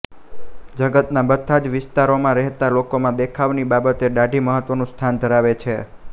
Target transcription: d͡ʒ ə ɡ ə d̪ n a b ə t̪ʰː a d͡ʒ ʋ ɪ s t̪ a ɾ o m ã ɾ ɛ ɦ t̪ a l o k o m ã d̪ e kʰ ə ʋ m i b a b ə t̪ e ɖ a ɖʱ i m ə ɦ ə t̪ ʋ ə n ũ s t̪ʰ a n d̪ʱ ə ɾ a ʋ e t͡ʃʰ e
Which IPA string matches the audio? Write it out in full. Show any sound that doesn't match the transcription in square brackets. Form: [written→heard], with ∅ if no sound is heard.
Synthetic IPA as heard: d͡ʒ ə ɡ ə [d̪→t̪] n a b ə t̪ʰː a d͡ʒ ʋ ɪ s t̪ a ɾ o m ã ɾ ɛ ɦ t̪ a l o k o m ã d̪ e kʰ [ə→a] ʋ [m→n] i b a b ə t̪ e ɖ a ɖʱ i m ə ɦ ə t̪ ʋ ə n ũ s t̪ʰ a n d̪ʱ ə ɾ a ʋ e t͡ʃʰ e